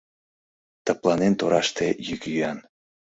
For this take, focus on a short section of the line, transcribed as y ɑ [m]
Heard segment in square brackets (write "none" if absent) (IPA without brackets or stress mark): n